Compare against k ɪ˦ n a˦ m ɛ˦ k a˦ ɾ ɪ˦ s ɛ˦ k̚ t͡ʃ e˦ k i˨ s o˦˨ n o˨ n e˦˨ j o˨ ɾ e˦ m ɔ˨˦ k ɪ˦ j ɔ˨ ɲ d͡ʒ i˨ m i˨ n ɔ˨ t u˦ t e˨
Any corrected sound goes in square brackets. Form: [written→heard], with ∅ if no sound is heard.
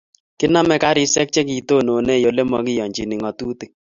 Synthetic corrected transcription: k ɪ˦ n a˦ m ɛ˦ k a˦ ɾ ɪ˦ s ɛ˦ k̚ t͡ʃ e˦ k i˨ [s→t] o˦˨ n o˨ n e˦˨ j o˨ [ɾ→l] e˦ m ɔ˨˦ k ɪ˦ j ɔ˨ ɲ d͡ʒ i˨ [m→n] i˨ [n→ŋ] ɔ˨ t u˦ t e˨